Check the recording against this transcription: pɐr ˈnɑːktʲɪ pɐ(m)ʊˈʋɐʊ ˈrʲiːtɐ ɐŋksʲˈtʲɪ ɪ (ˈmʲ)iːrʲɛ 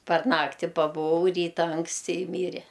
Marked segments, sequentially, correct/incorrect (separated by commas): incorrect, correct